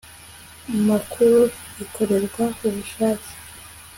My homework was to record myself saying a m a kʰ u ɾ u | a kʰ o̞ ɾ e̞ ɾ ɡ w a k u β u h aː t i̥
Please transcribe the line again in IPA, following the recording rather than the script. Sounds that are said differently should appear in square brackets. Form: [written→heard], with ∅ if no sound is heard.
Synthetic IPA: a m a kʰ u ɾ u | [a→i] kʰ o̞ ɾ e̞ ɾ ɡ w a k u β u [h→ʃ] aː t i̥

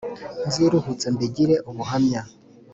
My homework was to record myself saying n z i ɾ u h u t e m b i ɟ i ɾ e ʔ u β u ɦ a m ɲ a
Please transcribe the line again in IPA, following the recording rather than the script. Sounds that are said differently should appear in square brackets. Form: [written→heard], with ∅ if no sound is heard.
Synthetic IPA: n z i ɾ u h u [t→t͡s] e m b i ɟ i ɾ e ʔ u β u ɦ a m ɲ a

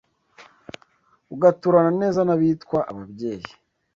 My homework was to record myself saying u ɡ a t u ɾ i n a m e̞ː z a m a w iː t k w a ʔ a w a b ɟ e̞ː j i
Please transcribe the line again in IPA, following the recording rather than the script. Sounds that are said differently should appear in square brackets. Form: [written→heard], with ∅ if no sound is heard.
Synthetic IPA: u ɡ a t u ɾ [i→a] n a [m→n] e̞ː z a [m→n] a [w→β] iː t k w a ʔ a [w→β] a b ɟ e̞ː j i

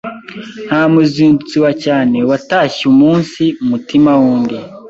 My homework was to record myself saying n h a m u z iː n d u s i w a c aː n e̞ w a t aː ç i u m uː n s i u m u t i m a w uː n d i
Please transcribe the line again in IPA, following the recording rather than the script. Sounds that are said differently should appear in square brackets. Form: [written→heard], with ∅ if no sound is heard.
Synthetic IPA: n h a m u z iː n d u [s→t͡s] i w a c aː n e̞ w a t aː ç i u m uː n s i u m u t i m a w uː n d i

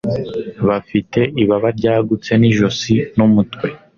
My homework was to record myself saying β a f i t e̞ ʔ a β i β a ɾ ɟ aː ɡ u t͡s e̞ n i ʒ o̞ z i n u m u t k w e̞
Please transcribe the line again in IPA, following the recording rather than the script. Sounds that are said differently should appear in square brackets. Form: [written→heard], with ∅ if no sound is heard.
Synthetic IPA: β a f i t e̞ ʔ [a→i] β [i→a] β a ɾ ɟ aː ɡ u t͡s e̞ n i ʒ o̞ [z→s] i n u m u t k w e̞

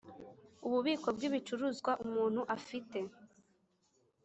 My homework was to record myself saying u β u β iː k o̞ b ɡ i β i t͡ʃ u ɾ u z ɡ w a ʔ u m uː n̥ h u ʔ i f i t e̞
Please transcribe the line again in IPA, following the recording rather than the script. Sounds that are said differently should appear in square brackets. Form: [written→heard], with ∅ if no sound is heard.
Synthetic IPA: u β u β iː k o̞ b ɡ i β i t͡ʃ u ɾ u z ɡ w a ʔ u m uː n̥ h u ʔ [i→a] f i t e̞

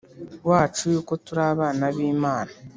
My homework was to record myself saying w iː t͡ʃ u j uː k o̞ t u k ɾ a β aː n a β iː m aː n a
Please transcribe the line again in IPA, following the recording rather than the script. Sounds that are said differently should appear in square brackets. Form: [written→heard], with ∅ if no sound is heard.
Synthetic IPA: w [iː→aː] t͡ʃ u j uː k o̞ t u [k→∅] ɾ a β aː n a β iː m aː n a

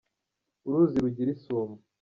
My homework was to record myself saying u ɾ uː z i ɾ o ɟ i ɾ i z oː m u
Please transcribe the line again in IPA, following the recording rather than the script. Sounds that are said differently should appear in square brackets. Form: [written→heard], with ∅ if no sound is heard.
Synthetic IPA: u ɾ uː z i ɾ [o→u] ɟ i ɾ i [z→s] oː m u

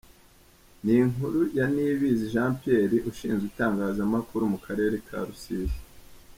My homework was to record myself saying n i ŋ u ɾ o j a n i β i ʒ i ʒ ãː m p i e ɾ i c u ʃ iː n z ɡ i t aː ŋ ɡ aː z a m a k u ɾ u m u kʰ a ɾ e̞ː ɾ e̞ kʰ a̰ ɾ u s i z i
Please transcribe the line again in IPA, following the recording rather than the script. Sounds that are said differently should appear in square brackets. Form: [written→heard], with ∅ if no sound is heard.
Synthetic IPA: n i ŋ u ɾ [o→u] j a n i β i [ʒ→z] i ʒ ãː m p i e ɾ i [c→ʔ] u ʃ iː n z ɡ i t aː ŋ ɡ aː z a m a k u ɾ u m u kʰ a ɾ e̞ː ɾ e̞ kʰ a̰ ɾ u s i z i

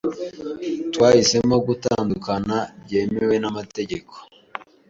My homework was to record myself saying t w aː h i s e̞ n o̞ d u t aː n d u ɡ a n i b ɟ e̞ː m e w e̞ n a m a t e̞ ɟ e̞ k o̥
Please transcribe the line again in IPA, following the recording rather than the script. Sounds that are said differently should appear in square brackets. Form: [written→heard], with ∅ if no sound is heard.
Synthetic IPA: t w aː h i s e̞ [n→m] o̞ [d→ɡ] u t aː n d u [ɡ→k] a n [i→a] b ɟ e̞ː m e w e̞ n a m a t e̞ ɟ e̞ k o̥

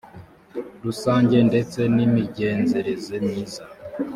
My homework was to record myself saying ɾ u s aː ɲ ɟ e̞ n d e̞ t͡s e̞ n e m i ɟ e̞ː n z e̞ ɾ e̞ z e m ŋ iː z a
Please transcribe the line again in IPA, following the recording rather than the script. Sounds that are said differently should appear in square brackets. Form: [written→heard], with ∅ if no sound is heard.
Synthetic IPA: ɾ u s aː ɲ ɟ e̞ n d e̞ t͡s e̞ n [e→i] m i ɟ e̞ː n z e̞ ɾ e̞ z e m [ŋ→ɲ] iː z a

